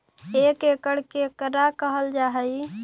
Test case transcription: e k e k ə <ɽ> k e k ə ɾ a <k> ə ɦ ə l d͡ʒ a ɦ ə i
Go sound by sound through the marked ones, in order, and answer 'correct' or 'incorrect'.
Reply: correct, correct

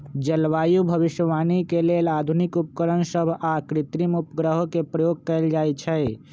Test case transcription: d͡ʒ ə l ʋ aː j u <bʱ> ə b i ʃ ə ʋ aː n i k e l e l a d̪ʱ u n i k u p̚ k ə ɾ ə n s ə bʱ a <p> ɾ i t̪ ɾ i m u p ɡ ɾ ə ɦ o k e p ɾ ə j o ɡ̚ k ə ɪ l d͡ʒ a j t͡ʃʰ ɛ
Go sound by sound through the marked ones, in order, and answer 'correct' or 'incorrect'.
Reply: correct, incorrect

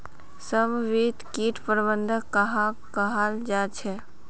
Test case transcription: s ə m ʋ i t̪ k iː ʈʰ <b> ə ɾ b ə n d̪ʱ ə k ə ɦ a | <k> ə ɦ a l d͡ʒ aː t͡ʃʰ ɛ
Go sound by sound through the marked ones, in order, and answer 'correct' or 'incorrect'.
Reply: incorrect, correct

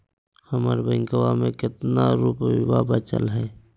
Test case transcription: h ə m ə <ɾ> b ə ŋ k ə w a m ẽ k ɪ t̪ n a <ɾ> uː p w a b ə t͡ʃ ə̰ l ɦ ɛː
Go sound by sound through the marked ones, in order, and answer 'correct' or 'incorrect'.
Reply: correct, correct

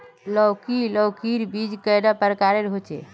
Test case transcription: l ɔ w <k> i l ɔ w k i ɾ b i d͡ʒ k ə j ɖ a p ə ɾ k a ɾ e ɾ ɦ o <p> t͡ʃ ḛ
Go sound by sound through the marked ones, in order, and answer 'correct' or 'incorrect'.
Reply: correct, incorrect

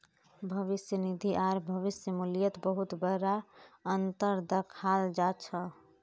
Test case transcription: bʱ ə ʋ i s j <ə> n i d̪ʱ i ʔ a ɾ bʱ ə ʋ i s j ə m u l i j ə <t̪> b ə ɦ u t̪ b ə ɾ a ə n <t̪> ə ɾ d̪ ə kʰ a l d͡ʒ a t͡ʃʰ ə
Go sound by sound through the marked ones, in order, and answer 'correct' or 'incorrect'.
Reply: correct, correct, correct

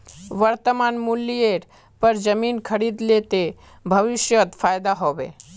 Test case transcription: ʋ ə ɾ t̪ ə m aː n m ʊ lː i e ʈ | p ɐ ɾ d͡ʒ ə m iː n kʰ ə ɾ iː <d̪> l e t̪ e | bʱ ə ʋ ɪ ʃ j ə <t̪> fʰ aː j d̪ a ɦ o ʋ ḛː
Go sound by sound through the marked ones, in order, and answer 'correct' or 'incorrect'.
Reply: correct, correct

